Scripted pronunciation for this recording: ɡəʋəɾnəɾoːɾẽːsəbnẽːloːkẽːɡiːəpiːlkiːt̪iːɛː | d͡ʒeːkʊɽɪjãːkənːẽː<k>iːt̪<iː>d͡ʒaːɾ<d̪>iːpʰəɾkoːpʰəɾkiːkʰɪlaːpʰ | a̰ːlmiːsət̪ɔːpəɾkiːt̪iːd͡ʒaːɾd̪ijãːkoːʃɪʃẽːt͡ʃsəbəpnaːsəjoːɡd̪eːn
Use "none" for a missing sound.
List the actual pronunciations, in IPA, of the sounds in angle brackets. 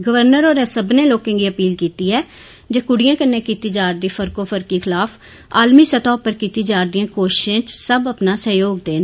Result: k, iː, d̪

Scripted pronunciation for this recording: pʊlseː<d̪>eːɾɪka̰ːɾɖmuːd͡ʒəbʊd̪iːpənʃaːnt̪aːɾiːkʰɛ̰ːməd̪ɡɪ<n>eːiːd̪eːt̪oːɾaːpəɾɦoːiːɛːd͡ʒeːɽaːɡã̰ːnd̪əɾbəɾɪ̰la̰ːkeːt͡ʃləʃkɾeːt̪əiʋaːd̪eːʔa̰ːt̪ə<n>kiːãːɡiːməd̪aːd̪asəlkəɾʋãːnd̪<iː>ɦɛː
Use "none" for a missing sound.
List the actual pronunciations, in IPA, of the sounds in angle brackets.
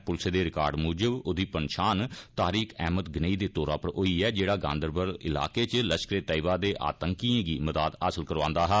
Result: d̪, n, ŋ, aː

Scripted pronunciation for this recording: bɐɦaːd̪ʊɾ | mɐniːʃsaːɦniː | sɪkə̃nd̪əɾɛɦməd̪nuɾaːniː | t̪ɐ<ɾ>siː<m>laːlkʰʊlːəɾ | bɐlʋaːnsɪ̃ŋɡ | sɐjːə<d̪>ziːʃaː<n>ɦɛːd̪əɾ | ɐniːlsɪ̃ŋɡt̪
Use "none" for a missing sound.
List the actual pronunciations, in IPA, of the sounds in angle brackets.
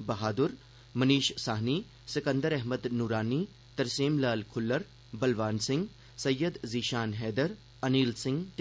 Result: ɾ, m, d̪, n

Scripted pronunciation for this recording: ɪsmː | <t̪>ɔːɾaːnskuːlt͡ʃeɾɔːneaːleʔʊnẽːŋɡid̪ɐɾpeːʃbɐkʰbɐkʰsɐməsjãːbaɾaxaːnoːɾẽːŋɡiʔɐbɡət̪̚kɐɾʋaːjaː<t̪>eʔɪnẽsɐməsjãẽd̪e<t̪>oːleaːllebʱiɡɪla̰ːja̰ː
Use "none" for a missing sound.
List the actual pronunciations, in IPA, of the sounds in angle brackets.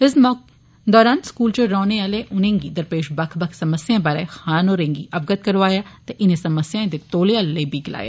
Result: d̪, t̪, t̪

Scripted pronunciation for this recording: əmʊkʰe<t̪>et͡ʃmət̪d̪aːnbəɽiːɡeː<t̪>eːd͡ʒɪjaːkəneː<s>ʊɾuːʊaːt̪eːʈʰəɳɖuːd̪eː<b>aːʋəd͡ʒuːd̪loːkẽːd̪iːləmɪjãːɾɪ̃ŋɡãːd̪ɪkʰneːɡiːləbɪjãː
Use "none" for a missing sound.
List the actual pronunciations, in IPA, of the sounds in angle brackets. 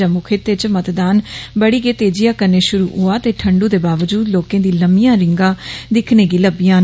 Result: t̪, t̪, ʃ, b

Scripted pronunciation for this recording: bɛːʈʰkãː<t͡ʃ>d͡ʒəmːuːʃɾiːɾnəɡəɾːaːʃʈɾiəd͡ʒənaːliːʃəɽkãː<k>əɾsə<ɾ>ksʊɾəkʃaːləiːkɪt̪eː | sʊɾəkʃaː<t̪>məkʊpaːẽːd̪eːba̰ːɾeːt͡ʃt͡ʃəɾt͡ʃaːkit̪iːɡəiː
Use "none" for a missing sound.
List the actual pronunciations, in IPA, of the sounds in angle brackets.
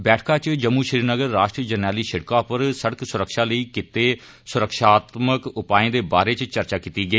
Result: t͡ʃ, p, ɽ, t̪

